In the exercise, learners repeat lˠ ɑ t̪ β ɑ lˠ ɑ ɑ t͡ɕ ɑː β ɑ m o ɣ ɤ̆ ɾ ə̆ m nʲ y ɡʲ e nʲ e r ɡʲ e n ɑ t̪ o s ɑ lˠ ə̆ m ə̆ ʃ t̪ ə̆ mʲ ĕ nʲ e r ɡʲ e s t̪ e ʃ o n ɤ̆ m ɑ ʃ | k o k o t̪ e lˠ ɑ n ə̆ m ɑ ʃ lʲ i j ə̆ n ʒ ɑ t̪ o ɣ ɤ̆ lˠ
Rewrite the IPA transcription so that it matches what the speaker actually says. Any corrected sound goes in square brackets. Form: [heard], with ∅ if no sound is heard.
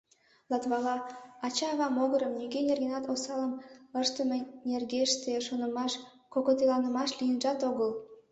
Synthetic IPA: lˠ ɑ t̪ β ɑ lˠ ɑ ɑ t͡ɕ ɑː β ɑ m o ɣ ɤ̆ ɾ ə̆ m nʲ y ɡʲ e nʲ e r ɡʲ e n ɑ t̪ o s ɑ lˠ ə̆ m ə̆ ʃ t̪ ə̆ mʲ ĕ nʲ e r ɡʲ e [ʃ] t̪ e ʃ o n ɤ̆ m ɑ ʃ | k o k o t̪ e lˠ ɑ n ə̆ m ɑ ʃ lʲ i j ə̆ n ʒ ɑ t̪ o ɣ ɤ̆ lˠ